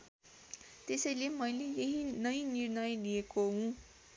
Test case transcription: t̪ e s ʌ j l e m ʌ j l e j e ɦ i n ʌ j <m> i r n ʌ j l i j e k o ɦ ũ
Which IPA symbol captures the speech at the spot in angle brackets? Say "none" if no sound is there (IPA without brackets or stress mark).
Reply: n